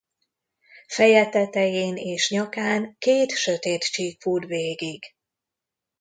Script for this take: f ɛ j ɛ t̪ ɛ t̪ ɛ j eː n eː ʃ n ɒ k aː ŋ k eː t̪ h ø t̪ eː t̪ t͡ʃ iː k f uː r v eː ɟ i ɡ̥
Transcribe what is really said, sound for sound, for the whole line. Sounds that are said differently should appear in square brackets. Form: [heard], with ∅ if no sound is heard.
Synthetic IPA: f ɛ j ɛ t̪ ɛ t̪ ɛ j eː n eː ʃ [ɲ] ɒ k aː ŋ k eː t̪ [ʃ] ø t̪ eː t̪ t͡ʃ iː k f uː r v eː [ɡ] i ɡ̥